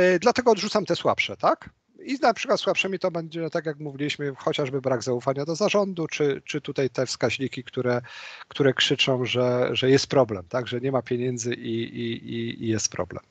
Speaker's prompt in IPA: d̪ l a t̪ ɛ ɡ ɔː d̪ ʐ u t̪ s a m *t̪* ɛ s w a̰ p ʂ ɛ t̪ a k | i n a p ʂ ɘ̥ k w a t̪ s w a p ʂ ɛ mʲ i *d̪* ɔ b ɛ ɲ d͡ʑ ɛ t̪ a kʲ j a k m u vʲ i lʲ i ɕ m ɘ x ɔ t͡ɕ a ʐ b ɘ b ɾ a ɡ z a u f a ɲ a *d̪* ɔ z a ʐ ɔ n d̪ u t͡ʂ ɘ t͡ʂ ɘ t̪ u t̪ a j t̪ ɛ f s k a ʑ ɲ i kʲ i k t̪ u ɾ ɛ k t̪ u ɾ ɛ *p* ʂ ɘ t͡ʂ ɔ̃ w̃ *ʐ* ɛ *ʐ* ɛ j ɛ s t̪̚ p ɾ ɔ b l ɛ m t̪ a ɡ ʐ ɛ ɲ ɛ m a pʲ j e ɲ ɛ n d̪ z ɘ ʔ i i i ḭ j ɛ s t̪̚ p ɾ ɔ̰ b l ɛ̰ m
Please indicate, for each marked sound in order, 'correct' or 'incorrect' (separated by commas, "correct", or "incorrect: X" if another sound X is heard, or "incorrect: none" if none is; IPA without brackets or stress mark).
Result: correct, incorrect: t̪, correct, incorrect: k, correct, correct